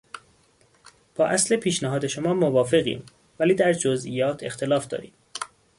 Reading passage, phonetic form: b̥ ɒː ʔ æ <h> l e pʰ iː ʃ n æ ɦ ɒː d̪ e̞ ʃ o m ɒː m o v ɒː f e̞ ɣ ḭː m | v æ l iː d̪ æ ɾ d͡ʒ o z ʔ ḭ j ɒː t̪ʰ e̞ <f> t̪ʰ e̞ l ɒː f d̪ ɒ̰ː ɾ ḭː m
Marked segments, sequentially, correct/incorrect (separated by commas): incorrect, incorrect